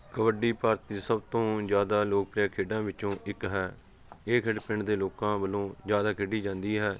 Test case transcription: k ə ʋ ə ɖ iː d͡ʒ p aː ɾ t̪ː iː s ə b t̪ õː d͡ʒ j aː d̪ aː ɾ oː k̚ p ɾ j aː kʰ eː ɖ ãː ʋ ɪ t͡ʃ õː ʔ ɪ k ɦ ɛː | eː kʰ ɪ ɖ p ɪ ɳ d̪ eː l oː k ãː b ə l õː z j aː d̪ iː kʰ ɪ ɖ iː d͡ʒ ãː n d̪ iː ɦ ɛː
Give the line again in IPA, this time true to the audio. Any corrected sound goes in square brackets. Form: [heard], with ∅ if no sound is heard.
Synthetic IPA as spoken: k ə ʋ ə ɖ iː [∅] p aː ɾ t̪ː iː s ə b t̪ õː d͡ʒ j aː d̪ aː [l] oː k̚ p ɾ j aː kʰ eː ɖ ãː ʋ ɪ t͡ʃ õː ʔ ɪ k ɦ ɛː | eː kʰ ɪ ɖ p ɪ ɳ d̪ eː l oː k ãː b ə l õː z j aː d̪ [aː] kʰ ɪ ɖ iː d͡ʒ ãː n d̪ iː ɦ ɛː